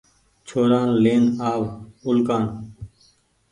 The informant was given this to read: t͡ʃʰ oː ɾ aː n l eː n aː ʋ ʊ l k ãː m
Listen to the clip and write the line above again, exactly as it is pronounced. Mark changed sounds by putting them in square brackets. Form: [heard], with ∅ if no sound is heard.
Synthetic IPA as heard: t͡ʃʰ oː ɾ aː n l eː n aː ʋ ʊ l k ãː [n]

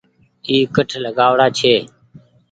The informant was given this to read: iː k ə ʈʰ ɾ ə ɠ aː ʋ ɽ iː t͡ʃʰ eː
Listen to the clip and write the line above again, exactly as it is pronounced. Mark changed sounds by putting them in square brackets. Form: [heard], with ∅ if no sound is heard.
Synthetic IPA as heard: iː k ə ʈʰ [l] ə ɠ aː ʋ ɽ [aː] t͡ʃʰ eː

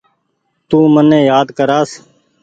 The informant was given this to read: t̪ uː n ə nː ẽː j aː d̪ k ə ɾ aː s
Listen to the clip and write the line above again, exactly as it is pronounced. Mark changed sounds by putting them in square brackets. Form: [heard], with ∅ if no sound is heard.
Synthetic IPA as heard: t̪ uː [m] ə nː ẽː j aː d̪ k ə ɾ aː s

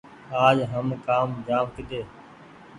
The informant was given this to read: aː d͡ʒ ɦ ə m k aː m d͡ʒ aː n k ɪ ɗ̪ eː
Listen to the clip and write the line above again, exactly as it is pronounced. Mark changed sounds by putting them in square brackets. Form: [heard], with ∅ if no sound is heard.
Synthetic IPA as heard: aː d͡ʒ ɦ ə m k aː m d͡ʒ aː [m] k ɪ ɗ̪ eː

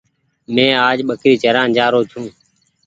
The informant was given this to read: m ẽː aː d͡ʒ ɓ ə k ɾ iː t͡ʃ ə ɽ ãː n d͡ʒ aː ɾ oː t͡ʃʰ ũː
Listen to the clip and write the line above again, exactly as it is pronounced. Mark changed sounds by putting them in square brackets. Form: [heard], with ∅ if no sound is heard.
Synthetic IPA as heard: m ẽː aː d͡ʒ ɓ ə k ɾ iː t͡ʃ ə [ɾ] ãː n d͡ʒ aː ɾ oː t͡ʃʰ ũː

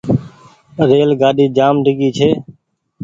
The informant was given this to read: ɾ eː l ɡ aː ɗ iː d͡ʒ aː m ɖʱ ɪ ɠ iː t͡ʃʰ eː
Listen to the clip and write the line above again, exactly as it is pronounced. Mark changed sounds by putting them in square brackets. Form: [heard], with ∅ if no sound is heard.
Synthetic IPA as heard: ɾ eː l ɡ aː ɗ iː d͡ʒ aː m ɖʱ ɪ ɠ iː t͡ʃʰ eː

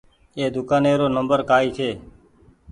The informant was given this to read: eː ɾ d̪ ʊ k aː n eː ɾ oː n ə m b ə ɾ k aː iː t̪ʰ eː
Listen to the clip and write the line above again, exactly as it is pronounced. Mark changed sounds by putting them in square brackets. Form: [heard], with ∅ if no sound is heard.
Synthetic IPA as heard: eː [∅] d̪ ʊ k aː n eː ɾ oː n ə m b ə ɾ k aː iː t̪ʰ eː

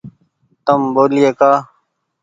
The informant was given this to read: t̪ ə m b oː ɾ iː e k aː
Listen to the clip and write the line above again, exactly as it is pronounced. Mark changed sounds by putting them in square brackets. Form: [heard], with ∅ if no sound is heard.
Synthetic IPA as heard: t̪ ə m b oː [l] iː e k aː

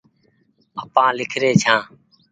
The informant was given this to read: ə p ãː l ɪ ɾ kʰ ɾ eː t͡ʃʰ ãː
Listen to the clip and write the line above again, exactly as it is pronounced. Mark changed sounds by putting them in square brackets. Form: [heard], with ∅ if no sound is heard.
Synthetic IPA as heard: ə p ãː l ɪ [∅] kʰ ɾ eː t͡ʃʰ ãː

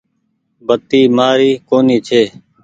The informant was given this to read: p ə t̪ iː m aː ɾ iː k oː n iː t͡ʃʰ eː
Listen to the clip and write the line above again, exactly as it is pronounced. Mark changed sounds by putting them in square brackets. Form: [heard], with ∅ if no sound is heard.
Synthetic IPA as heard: [b] ə t̪ iː m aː ɾ iː k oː n iː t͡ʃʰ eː

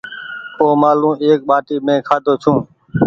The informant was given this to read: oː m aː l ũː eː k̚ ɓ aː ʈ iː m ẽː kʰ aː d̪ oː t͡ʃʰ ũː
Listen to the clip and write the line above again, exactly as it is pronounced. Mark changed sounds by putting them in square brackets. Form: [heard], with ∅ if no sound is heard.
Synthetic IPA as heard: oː m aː l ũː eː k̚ ɓ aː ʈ iː m ẽː kʰ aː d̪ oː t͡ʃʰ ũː

